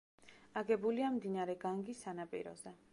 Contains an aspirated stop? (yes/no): no